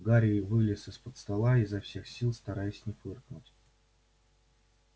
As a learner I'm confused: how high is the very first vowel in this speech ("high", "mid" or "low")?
low